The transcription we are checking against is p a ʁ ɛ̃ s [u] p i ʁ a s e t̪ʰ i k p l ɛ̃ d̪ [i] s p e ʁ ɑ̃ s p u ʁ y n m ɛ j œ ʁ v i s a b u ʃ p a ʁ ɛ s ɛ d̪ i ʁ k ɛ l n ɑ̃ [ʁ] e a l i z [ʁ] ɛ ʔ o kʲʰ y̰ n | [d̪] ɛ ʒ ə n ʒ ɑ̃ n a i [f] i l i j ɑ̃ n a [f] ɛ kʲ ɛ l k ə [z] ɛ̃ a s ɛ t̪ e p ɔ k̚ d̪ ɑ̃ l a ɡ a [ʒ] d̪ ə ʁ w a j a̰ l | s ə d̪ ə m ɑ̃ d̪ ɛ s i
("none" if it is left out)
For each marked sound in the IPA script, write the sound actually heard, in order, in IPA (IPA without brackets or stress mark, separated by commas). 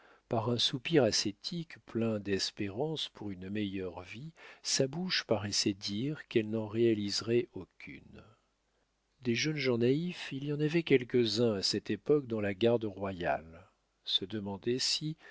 u, ɛ, ʁ, ʁ, d̪, f, v, z, ʁ